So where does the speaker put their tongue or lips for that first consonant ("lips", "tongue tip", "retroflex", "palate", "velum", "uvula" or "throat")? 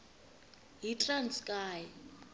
throat